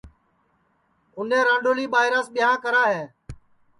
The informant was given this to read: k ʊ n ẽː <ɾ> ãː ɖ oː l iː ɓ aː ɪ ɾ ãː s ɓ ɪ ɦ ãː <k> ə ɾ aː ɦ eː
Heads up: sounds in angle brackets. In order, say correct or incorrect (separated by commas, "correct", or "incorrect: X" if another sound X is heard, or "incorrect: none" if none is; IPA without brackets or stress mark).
correct, correct